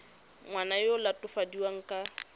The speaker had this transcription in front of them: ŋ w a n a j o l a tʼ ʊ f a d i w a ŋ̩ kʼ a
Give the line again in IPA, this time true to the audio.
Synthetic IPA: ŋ w a n a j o l a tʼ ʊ f a d i w a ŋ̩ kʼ a